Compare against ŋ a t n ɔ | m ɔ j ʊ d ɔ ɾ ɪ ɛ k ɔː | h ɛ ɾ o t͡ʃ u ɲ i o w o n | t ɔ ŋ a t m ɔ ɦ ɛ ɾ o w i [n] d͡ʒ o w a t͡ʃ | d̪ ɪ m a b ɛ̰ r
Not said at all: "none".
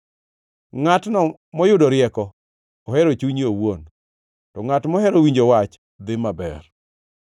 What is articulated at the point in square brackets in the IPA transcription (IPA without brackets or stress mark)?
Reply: ɲ